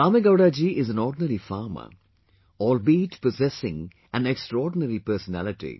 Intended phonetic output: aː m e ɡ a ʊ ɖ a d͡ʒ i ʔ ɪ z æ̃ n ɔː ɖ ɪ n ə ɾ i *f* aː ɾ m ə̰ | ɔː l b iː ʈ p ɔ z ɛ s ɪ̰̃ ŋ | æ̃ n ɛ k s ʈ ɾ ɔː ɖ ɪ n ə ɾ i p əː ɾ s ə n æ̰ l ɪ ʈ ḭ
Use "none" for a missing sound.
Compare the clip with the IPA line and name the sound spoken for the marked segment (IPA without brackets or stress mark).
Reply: f